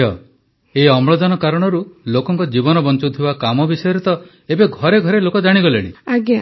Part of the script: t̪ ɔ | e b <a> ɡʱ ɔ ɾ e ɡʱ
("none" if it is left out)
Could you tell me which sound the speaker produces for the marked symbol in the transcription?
e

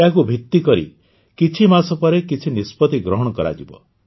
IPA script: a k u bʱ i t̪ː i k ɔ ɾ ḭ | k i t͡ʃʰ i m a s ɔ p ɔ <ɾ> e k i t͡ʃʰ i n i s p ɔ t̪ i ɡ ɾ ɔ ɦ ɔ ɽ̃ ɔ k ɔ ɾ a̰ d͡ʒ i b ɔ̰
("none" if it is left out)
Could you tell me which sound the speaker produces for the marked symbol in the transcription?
ɾ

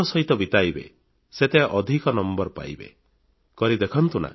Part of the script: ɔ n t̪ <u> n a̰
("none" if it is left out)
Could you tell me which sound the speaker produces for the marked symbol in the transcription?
u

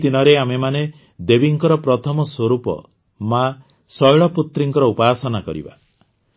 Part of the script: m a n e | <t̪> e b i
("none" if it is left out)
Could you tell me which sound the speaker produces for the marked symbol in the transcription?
d̪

